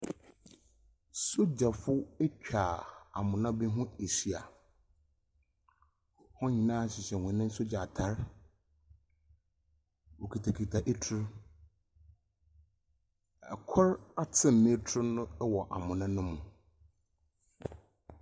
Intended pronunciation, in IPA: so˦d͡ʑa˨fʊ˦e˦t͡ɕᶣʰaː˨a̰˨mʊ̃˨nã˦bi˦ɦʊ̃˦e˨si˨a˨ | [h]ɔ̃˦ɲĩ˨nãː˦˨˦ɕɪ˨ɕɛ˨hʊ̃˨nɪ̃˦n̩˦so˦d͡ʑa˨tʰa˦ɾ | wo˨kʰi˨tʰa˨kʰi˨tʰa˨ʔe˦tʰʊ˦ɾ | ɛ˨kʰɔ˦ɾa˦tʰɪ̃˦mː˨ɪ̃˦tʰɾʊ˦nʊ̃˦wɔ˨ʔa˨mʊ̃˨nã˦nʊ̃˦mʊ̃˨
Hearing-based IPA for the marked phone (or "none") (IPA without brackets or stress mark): h